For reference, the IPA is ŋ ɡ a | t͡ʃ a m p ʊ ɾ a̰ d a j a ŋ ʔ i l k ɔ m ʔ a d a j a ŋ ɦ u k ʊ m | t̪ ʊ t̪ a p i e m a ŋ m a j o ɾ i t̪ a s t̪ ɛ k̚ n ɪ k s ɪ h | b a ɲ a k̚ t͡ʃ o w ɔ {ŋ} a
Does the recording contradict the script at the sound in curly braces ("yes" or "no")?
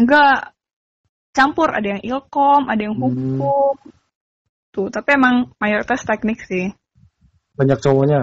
yes